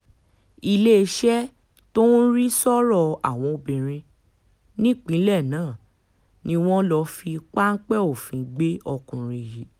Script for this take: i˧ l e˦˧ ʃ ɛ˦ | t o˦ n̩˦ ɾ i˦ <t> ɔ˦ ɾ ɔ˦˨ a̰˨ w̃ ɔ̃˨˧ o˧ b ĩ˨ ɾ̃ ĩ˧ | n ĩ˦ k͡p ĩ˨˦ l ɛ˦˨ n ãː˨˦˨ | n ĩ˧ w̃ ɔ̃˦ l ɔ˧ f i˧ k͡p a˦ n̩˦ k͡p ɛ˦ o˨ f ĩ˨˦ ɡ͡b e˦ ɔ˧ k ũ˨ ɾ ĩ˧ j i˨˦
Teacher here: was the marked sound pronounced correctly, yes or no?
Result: no